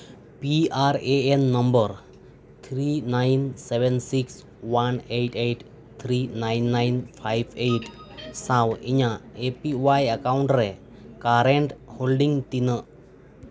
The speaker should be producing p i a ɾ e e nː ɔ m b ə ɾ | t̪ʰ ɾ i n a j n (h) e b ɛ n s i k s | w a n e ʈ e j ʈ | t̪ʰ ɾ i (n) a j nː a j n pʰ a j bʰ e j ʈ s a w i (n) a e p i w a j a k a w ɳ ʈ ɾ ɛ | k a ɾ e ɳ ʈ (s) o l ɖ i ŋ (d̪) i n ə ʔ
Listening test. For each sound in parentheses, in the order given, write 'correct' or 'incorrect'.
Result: incorrect: s, correct, incorrect: ɲ, incorrect: h, incorrect: t̪

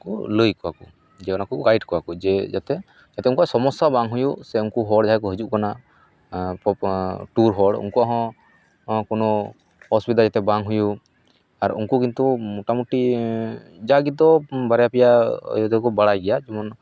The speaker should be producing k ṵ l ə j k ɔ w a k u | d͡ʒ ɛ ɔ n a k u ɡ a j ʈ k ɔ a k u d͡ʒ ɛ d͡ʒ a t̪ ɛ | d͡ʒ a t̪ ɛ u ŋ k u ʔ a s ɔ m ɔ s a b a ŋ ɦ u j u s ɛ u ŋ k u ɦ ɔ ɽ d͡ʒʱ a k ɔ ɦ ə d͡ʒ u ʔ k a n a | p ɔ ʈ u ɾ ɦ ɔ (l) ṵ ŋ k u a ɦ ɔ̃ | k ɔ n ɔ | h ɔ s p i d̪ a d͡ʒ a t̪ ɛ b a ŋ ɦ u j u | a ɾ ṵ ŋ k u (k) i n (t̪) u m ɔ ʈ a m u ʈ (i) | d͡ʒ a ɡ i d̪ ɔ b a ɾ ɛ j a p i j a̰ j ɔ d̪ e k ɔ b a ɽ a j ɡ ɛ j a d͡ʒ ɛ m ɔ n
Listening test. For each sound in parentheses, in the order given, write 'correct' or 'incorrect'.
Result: incorrect: ɽ, correct, correct, correct

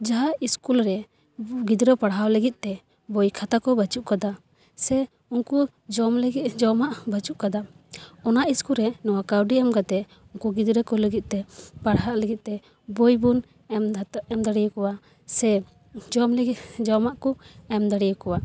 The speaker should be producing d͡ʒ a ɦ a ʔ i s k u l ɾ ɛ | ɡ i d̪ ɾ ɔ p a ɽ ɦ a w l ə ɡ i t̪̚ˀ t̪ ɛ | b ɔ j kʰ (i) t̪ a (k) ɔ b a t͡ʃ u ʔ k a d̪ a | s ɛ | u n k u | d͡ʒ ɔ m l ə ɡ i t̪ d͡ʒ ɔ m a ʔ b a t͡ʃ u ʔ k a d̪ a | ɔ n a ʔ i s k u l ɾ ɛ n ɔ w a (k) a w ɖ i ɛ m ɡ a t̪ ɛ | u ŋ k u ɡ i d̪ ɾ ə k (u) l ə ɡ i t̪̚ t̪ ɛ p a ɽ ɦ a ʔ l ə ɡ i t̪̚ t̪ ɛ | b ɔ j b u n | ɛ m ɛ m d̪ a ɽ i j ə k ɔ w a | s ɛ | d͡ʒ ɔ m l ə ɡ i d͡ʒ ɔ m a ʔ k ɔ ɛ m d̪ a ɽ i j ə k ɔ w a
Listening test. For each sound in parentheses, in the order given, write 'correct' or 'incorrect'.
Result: incorrect: a, correct, correct, incorrect: ɔ

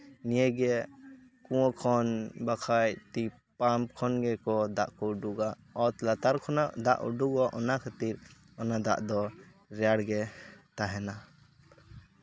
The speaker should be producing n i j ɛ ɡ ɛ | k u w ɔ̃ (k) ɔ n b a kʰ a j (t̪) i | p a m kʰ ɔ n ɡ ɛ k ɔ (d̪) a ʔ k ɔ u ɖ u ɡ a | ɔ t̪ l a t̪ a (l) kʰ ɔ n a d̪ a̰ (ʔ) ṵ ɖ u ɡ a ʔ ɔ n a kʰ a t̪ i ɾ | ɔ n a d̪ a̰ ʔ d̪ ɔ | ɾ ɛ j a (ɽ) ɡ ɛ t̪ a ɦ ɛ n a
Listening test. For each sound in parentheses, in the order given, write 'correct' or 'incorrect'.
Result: incorrect: kʰ, correct, correct, incorrect: ɾ, correct, correct

